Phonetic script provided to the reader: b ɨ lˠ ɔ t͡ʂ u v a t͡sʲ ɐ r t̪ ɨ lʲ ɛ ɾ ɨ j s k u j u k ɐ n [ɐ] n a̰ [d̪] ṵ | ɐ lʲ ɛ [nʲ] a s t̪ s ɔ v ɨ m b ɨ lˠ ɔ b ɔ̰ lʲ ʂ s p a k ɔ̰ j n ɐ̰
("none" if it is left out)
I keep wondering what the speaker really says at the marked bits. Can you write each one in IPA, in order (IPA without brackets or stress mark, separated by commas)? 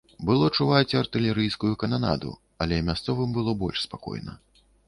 a, d̪, mʲ